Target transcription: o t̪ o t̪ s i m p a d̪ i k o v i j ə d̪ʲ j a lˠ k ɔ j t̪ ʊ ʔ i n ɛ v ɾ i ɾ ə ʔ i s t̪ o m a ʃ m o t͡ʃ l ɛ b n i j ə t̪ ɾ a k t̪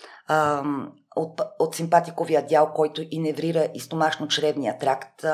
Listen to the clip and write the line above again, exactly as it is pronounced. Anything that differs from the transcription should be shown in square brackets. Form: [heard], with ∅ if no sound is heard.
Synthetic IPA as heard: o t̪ o t̪ s i m p a [t̪] i k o v i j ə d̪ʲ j a lˠ k ɔ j t̪ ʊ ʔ i n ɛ v ɾ i ɾ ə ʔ i s t̪ o m a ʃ [n] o t͡ʃ [ɾ] ɛ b n i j ə t̪ ɾ a k t̪